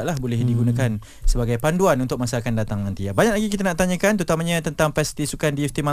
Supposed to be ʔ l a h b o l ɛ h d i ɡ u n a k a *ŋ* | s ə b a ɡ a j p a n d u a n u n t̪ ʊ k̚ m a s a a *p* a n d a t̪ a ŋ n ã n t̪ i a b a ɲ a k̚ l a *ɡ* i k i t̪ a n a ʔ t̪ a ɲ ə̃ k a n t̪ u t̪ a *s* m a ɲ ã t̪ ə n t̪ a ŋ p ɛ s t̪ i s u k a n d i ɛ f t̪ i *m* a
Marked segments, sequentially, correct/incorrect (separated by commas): incorrect, incorrect, correct, incorrect, correct